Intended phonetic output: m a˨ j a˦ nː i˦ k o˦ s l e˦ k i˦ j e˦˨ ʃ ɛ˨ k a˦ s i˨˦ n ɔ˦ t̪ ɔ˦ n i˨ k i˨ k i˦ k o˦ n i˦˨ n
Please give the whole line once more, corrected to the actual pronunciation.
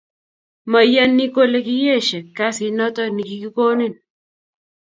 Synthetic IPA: m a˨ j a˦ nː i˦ k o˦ l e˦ k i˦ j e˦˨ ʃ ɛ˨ k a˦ s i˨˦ n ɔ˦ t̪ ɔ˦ n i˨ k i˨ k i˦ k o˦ n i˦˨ n